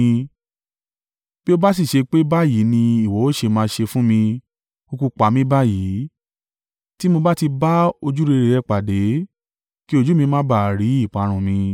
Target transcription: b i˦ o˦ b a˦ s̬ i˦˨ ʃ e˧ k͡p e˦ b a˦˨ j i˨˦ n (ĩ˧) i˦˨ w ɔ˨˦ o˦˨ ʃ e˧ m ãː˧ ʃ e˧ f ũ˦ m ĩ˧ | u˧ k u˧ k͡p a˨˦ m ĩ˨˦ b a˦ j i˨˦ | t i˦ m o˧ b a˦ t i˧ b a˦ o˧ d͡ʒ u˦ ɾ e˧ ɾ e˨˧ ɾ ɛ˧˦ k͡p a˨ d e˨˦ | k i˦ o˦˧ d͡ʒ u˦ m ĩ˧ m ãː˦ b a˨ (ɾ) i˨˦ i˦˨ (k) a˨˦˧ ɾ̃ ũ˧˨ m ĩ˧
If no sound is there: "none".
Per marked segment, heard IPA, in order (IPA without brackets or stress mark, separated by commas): ĩ˧, ɾ, k͡p